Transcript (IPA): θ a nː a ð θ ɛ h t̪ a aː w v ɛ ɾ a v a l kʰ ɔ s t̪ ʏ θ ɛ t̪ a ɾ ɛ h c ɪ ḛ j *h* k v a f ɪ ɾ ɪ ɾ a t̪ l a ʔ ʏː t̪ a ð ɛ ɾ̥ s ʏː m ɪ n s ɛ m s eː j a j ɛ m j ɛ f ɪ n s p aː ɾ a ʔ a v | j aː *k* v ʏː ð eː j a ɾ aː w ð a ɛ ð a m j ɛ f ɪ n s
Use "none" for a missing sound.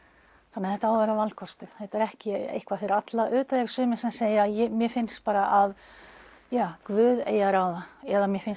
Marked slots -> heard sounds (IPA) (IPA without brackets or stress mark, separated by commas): h, k